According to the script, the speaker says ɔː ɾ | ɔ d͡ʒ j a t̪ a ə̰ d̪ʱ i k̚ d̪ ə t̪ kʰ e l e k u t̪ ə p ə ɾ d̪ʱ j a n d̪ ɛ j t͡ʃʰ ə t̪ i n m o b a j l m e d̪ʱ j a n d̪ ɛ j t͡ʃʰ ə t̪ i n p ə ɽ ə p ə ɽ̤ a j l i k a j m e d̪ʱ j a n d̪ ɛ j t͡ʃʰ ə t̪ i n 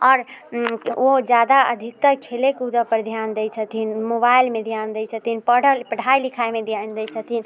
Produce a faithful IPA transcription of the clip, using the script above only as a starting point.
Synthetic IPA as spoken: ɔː ɾ | o d͡ʒ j a d̪ a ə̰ d̪ʱ i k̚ t̪ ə kʰ e l e k u d̪ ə p ə ɾ d̪ʱ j a n d̪ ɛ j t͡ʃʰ ə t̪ i n m o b a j l m e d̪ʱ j a n d̪ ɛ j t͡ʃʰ ə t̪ i n p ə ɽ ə p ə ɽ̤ a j l i kʰ a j m e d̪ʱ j a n d̪ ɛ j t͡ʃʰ ə t̪ i n